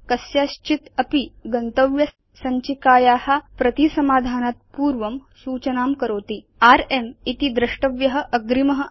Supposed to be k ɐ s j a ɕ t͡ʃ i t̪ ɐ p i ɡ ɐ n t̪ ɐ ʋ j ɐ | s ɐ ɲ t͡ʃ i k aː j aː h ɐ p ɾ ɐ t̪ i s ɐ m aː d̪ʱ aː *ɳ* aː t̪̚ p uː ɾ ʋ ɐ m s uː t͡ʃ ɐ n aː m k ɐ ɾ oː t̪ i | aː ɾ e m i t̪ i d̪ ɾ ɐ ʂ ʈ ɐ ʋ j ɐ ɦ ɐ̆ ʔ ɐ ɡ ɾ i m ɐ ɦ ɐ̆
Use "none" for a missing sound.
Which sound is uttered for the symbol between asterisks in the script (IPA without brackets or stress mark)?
n